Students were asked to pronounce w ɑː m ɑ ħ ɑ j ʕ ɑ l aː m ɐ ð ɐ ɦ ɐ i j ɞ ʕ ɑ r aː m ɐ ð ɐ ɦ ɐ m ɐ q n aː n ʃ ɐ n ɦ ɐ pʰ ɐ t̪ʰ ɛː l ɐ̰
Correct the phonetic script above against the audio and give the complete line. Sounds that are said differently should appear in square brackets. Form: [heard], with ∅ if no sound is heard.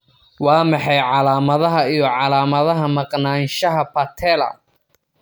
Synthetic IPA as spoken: w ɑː m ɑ ħ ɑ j ʕ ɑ l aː m ɐ ð ɐ ɦ ɐ i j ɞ ʕ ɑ [l] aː m ɐ ð ɐ ɦ ɐ m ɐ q n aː n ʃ ɐ [∅] ɦ ɐ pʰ ɐ t̪ʰ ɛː l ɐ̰